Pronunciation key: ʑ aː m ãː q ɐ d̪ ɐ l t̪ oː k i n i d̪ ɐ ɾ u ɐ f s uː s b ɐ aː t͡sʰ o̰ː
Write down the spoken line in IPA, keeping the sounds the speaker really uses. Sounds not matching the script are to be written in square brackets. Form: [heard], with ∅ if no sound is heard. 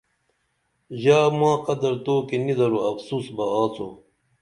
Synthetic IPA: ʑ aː m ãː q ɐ d̪ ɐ [ɾ] t̪ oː k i n i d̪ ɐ ɾ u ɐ f s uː s b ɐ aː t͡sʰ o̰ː